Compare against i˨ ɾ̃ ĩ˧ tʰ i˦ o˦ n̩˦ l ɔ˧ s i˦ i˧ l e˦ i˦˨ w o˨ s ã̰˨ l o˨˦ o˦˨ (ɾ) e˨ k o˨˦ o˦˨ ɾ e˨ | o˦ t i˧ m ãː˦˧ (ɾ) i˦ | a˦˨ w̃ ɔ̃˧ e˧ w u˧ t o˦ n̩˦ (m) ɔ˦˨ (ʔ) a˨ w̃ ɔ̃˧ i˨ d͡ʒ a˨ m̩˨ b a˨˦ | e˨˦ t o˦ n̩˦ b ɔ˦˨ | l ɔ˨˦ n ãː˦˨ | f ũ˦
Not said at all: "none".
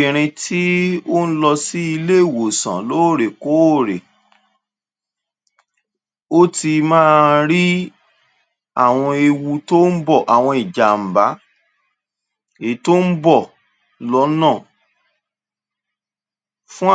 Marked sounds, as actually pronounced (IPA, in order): ɾ, ɾ, b, ʔ

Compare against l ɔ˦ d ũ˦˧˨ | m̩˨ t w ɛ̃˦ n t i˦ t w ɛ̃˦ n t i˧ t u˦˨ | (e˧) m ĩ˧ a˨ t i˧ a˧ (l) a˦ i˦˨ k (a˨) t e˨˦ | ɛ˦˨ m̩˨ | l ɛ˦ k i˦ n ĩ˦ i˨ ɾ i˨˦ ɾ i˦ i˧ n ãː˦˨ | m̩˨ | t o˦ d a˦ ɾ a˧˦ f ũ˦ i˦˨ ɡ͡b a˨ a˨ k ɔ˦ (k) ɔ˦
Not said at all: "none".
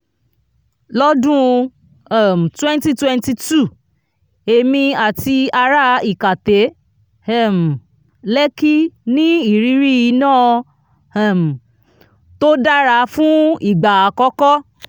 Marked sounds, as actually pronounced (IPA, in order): e˧, ɾ, a˨, k

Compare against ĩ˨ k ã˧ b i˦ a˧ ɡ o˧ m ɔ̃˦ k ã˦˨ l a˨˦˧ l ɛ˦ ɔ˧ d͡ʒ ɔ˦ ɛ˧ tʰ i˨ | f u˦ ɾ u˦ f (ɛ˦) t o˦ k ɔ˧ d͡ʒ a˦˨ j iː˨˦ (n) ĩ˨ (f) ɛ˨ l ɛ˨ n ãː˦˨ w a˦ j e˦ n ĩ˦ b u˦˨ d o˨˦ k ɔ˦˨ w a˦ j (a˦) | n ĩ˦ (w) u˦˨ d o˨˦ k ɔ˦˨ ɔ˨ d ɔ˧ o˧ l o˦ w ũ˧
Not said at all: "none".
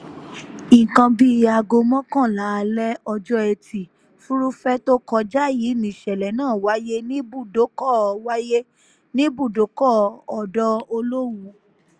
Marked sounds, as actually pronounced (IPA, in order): ɛ˦, n, ʃ, e˦, b

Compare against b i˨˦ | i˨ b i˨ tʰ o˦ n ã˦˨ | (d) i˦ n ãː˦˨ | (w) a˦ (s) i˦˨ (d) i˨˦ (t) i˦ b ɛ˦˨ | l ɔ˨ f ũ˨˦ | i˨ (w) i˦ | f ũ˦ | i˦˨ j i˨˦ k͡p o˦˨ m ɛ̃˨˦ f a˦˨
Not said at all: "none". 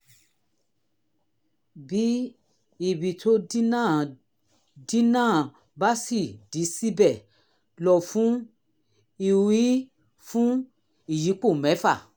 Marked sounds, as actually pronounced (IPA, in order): d, b, s, d, s, w

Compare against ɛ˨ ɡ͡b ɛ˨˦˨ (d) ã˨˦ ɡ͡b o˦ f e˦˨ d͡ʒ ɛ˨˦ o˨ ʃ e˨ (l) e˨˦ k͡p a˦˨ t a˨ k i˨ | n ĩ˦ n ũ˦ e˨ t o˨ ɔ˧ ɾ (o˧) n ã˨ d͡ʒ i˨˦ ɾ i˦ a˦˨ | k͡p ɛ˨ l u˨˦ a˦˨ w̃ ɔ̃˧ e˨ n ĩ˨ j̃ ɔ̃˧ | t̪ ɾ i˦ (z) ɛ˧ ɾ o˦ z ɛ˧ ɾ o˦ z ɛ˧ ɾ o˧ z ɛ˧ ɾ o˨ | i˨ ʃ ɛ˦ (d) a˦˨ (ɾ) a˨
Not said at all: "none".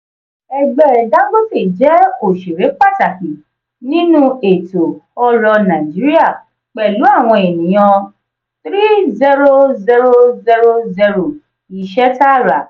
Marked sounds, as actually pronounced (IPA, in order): d, ɾ, ɔ˧, z, t, ɾ

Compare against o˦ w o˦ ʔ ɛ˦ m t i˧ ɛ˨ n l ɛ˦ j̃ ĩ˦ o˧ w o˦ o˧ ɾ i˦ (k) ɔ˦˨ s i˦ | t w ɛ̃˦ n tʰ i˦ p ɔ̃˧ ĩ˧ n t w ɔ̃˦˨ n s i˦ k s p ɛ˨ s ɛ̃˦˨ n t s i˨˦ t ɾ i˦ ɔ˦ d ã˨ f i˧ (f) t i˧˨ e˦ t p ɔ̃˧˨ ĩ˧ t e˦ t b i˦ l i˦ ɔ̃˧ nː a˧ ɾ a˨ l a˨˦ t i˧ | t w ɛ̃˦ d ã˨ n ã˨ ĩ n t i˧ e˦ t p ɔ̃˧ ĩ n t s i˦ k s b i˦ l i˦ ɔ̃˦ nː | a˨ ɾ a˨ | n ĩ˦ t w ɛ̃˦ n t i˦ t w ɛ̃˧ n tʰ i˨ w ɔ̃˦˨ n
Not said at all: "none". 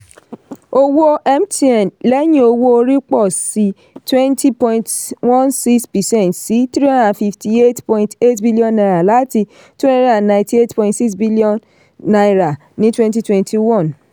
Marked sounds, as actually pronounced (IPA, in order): k͡p, f

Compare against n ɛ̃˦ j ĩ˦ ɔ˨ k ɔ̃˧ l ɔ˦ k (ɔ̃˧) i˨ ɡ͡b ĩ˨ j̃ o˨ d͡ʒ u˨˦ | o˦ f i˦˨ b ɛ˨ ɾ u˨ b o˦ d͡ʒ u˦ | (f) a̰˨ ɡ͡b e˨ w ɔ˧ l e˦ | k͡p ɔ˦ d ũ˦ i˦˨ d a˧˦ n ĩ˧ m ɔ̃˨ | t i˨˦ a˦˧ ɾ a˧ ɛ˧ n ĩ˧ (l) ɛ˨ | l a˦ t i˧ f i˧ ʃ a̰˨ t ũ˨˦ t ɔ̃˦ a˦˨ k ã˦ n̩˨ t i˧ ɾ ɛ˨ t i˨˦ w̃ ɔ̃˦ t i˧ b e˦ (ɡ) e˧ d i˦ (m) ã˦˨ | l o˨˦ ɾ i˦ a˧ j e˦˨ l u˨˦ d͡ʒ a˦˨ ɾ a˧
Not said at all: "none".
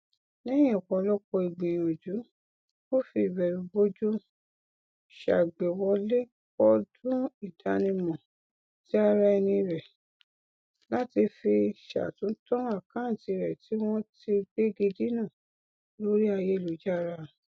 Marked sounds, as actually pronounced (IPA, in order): ɔ˧, ʃ, ɾ, ɡ, n

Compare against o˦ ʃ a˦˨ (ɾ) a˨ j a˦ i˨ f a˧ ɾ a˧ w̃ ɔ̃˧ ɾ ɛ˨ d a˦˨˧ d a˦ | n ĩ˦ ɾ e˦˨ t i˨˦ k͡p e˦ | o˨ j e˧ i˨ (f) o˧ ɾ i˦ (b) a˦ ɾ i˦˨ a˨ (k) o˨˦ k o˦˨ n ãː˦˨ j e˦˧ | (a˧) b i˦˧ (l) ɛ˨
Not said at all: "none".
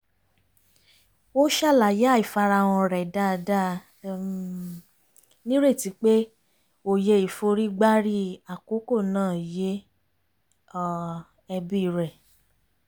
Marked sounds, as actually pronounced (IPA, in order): l, f, ɡ͡b, k, ɛ˧, ɾ

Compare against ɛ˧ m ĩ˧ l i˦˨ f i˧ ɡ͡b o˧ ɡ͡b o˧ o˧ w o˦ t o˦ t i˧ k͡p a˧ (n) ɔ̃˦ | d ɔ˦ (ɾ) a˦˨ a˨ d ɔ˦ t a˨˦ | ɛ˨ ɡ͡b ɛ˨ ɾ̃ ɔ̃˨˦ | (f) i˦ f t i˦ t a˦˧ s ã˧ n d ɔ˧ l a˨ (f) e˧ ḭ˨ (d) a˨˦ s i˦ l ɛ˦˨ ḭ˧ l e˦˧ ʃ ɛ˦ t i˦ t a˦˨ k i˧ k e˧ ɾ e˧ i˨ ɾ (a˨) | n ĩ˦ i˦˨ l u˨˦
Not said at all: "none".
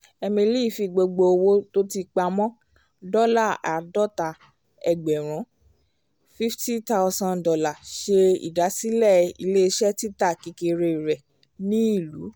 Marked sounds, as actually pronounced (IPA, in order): m, l, f, ʃ, d, ɛ˨

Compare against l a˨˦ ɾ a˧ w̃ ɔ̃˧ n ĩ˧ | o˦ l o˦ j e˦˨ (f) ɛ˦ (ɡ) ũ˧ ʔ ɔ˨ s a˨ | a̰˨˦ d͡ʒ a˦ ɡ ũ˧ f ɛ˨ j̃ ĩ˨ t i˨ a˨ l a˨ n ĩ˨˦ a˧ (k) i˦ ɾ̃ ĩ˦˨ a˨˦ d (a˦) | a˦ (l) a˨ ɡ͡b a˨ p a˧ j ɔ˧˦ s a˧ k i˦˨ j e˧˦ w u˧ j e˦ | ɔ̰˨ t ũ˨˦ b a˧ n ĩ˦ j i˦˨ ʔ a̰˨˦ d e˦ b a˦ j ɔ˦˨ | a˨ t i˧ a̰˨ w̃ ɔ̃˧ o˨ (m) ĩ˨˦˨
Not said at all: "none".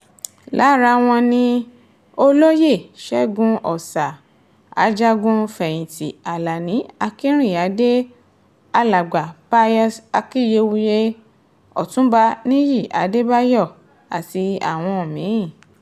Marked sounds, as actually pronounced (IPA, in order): ʃ, ɡ, k, e˦, l, m

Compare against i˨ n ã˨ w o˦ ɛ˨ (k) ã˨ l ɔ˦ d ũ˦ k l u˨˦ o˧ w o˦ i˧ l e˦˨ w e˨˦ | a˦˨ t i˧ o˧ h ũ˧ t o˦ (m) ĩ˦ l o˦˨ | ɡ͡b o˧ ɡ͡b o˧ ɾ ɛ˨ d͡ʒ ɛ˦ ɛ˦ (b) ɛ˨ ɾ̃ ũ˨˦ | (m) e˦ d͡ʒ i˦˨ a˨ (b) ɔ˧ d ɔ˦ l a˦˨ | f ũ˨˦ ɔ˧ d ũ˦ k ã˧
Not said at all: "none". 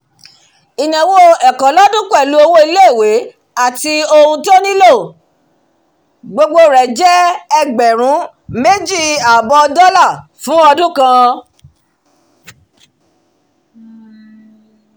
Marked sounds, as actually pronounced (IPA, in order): k, n, ɡ͡b, m, b

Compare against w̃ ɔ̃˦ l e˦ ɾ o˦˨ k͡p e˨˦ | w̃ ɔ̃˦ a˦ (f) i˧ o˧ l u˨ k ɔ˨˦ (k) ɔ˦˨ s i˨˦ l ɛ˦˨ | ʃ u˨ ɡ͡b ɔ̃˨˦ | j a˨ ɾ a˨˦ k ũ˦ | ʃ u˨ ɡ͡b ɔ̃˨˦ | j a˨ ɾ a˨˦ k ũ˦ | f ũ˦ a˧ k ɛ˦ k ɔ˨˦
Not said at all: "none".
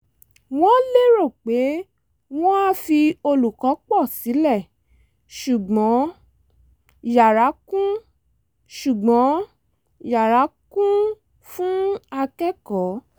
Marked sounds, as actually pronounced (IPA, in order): f, k͡p

